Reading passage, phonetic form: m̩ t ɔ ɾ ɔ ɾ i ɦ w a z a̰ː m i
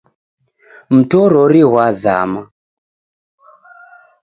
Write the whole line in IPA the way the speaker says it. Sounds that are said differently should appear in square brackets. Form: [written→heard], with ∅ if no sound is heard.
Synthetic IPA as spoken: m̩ t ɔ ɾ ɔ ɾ i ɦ w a z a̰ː m [i→a]